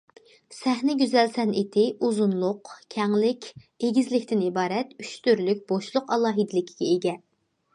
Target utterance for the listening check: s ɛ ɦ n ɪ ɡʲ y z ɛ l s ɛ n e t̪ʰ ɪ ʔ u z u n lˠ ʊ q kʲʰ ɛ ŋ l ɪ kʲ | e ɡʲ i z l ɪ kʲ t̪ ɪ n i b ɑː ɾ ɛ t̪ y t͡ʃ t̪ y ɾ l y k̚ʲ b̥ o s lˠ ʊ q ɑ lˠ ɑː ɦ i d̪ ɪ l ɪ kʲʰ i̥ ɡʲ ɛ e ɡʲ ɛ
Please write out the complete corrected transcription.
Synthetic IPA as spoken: s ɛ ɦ n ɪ ɡʲ y z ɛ l s ɛ n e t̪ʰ ɪ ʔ u z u n lˠ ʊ q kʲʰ ɛ ŋ l ɪ kʲ | e ɡʲ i z l ɪ kʲ t̪ ɪ n i b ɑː ɾ ɛ t̪ y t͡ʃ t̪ y ɾ l y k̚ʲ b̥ o ʃ lˠ ʊ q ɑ lˠ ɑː ɦ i d̪ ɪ l ɪ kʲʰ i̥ ɡʲ ɛ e ɡʲ ɛ

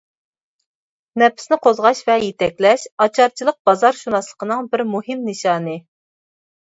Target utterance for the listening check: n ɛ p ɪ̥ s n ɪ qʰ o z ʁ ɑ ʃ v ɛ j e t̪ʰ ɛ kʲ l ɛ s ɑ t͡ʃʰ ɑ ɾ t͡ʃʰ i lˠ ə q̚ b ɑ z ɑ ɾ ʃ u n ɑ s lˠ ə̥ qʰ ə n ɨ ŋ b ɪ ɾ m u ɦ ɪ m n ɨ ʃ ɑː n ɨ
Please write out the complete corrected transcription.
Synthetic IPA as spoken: n ɛ p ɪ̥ s n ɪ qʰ o z ʁ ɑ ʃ v ɛ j e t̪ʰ ɛ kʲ l ɛ ʃ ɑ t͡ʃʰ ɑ ɾ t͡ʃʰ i lˠ ə q̚ b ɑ z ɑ ɾ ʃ u n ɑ s lˠ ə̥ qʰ ə n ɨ ŋ b ɪ ɾ m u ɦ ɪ m n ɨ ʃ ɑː n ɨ

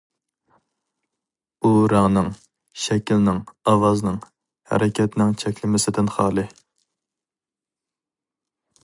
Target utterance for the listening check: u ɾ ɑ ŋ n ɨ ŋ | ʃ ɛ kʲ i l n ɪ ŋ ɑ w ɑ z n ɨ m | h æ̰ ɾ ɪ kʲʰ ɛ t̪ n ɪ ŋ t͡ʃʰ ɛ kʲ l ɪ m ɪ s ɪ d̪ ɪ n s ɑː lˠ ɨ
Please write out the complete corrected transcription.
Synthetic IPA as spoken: u ɾ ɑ ŋ n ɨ ŋ | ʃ ɛ kʲ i l n ɪ ŋ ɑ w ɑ z n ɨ ŋ | h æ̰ ɾ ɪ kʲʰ ɛ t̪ n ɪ ŋ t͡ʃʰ ɛ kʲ l ɪ m ɪ s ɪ d̪ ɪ n χ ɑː lˠ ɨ

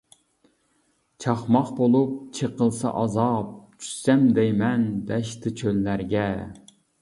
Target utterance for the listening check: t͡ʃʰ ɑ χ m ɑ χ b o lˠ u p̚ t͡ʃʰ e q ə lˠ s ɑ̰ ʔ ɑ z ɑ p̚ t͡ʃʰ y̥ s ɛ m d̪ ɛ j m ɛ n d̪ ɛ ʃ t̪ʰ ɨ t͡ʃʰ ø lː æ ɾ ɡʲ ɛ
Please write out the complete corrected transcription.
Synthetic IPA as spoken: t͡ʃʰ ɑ χ m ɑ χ b o lˠ u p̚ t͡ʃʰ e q ə lˠ s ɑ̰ ʔ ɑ z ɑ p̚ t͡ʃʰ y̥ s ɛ m d̪ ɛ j m ɛ n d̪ ɛ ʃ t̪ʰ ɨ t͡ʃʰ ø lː æ ɾ ɡʲ ɛ

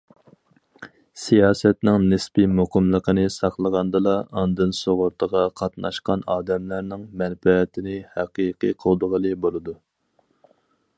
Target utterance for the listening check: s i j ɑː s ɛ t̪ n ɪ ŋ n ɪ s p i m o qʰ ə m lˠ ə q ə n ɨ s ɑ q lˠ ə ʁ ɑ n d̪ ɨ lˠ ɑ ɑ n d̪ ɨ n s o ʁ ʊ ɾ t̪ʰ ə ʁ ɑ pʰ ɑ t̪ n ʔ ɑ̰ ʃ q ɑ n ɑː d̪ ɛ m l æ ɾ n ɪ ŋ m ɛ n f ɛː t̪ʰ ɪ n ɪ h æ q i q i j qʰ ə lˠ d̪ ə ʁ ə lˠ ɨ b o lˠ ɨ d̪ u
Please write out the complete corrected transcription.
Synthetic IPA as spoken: s i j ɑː s ɛ t̪ n ɪ ŋ n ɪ s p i m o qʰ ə m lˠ ə q ə n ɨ s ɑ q lˠ ə ʁ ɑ n d̪ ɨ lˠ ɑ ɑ n d̪ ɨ n s o ʁ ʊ ɾ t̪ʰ ə ʁ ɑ qʰ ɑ t̪ n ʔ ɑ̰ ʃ q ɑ n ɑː d̪ ɛ m l æ ɾ n ɪ ŋ m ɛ n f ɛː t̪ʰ ɪ n ɪ h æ q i q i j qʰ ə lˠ d̪ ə ʁ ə lˠ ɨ b o lˠ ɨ d̪ u

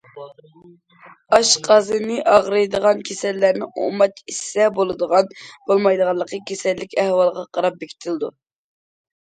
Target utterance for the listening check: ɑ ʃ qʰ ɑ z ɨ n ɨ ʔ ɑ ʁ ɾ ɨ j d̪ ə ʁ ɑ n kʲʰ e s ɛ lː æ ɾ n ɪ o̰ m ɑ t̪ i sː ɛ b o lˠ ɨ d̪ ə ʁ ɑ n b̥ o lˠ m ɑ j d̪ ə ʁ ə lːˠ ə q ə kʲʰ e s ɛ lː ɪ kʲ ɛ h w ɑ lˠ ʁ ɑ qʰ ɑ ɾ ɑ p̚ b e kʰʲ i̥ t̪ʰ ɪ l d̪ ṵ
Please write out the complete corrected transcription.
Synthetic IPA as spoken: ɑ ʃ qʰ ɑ z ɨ n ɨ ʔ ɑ ʁ ɾ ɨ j d̪ ə ʁ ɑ n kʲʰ e s ɛ lː æ ɾ n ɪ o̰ m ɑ t̪ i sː ɛ b o lˠ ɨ d̪ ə ʁ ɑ n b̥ o lˠ m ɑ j d̪ ə ʁ ɑ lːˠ ə q ə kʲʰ e s ɛ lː ɪ kʲ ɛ h w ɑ lˠ ʁ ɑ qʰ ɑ ɾ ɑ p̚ b e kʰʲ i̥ t̪ʰ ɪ l d̪ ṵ

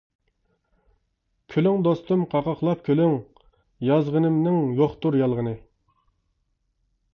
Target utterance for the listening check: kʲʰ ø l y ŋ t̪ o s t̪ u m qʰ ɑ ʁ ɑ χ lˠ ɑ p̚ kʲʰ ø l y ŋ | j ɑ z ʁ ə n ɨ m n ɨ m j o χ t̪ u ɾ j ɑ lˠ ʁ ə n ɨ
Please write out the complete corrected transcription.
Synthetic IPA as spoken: kʲʰ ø l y ŋ d̪ o s t̪ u m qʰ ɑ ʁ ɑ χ lˠ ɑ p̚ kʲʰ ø l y ŋ | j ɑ z ʁ ə n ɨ m n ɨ ŋ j o χ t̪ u ɾ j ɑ lˠ ʁ ə n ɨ

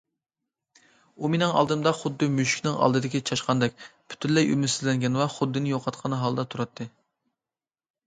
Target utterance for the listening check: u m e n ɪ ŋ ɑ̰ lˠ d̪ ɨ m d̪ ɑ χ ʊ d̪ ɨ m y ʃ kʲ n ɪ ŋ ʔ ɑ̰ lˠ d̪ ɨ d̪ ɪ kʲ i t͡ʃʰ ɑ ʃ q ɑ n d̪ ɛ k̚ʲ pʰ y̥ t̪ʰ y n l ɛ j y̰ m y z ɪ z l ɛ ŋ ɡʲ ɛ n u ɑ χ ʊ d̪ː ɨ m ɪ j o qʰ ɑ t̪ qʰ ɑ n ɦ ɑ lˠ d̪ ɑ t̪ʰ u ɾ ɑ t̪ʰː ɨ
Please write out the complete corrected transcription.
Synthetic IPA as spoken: u m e n ɪ ŋ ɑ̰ lˠ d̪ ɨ m d̪ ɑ χ ʊ d̪ː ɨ m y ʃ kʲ n ɪ ŋ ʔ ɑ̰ lˠ d̪ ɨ d̪ ɪ kʲ i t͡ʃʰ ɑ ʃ q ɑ n d̪ ɛ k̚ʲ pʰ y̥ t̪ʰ y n l ɛ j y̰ m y s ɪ z l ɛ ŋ ɡʲ ɛ n w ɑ χ ʊ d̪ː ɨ n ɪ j o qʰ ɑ t̪ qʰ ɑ n ɦ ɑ lˠ d̪ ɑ t̪ʰ u ɾ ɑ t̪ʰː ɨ

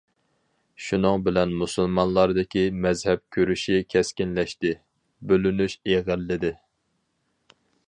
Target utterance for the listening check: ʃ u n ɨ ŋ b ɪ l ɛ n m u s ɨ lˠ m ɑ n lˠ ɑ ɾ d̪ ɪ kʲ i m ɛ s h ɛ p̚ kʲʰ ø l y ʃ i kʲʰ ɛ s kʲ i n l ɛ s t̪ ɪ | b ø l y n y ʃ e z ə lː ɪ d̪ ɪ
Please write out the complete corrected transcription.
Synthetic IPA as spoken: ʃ u n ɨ ŋ b ɪ l ɛ n m u s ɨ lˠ m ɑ n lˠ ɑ ɾ d̪ ɪ kʲ i m ɛ z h ɛ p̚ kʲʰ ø ɾ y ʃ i kʲʰ ɛ s kʲ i n l ɛ ʃ t̪ ɪ | b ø l y n y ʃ e ʁ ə lː ɪ d̪ ɪ

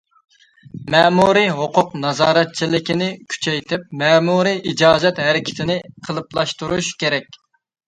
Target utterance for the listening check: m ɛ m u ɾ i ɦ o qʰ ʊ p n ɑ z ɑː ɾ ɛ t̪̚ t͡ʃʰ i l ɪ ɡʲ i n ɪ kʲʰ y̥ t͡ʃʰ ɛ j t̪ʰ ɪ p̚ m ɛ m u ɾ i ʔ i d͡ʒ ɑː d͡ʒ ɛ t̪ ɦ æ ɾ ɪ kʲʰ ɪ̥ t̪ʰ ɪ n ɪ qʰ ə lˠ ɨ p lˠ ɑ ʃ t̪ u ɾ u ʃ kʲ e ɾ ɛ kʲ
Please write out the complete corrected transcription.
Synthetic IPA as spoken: m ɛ m u ɾ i ɦ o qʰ ʊ q n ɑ z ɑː ɾ ɛ t̪̚ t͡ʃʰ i l ɪ kʲ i n ɪ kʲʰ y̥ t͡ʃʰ ɛ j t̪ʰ ɪ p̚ m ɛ m u ɾ i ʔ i d͡ʒ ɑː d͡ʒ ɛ t̪ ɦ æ ɾ ɪ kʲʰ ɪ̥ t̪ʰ ɪ n ɪ qʰ ə lˠ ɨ p lˠ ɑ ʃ t̪ u ɾ u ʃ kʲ e ɾ ɛ kʲ

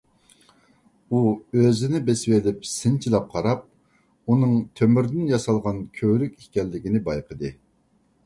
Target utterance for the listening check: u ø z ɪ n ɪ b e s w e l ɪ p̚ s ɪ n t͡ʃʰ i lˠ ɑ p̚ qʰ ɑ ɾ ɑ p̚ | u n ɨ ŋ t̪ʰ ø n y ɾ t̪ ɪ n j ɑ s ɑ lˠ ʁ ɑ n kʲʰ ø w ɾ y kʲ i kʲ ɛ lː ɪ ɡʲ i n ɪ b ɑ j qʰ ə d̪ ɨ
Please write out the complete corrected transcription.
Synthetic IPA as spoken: u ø z ɪ n ɪ b e s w e l ɪ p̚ s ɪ n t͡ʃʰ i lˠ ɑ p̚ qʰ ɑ ɾ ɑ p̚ | u n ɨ ŋ t̪ʰ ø m y ɾ d̪ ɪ n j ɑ s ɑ lˠ ʁ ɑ n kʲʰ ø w ɾ y kʲ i kʲ ɛ lː ɪ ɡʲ i n ɪ b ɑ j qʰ ə d̪ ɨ

